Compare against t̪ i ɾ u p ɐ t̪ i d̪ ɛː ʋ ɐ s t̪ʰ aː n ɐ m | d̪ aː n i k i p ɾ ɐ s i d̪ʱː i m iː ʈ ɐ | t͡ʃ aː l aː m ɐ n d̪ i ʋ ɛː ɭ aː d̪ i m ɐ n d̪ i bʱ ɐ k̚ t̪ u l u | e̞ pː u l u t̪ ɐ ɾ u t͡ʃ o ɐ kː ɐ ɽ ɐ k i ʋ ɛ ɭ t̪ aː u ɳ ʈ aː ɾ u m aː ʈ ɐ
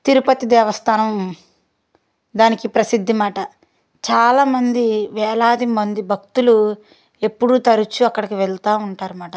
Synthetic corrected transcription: t̪ i ɾ u p ɐ t̪ i d̪ ɛː ʋ ɐ s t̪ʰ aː n ɐ m | d̪ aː n i k i p ɾ ɐ s i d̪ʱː i m aː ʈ ɐ | t͡ʃ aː l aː m ɐ n d̪ i ʋ ɛː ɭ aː d̪ i m ɐ n d̪ i bʱ ɐ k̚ t̪ u l u | e̞ pː u ɽ u t̪ ɐ ɾ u t͡ʃ u ɐ kː ɐ ɽ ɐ k i ʋ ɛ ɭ t̪ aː u ɳ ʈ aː ɾ u m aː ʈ ɐ